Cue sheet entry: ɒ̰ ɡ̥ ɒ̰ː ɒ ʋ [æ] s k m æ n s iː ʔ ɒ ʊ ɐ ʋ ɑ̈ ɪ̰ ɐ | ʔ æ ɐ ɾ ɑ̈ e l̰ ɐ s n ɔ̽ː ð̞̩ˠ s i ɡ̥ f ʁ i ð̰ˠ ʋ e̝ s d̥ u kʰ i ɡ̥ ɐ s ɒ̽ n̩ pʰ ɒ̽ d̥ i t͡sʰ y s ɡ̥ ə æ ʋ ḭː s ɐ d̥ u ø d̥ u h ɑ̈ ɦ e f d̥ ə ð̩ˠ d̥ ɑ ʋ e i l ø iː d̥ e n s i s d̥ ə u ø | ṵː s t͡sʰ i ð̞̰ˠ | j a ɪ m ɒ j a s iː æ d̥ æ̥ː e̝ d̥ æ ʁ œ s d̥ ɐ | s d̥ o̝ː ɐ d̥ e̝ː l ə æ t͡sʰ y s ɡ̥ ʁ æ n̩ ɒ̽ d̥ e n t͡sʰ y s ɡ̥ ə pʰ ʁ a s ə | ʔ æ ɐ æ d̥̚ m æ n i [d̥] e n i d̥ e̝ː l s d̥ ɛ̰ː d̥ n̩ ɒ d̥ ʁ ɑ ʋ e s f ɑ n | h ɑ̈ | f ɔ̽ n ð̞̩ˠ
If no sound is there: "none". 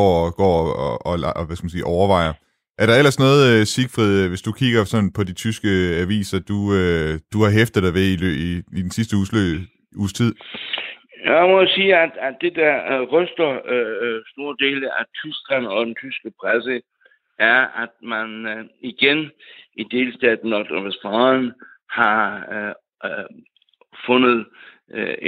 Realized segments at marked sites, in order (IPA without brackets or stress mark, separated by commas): æ, ɡ̥